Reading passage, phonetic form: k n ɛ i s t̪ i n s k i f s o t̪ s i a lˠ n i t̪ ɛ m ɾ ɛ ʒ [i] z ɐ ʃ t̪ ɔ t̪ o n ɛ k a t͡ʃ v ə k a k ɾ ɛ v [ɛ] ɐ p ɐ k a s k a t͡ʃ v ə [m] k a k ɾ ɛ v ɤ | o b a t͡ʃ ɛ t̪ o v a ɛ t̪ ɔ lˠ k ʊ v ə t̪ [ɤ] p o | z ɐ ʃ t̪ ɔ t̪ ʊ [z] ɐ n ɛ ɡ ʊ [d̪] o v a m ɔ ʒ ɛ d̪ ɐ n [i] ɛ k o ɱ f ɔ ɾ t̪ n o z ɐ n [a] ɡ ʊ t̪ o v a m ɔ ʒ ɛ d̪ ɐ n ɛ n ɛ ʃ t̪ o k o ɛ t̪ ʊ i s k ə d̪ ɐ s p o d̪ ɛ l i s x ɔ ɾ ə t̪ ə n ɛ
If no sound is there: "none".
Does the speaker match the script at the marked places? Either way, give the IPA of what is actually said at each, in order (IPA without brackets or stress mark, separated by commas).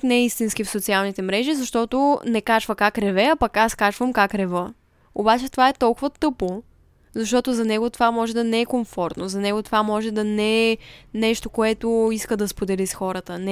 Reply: i, ɛ, m, ɤ, z, t̪, ɛ, ɛ